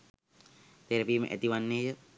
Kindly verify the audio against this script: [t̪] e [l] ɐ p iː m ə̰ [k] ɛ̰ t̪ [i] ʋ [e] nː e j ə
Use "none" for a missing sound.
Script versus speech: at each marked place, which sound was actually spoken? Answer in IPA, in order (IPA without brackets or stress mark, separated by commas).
t̪, ɾ, ʔ, i, a